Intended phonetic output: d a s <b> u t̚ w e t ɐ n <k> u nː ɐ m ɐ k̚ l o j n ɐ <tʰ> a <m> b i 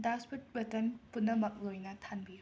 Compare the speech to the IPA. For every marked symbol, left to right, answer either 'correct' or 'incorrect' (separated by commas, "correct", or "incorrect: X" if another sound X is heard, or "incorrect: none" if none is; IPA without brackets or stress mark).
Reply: incorrect: p, incorrect: p, correct, incorrect: n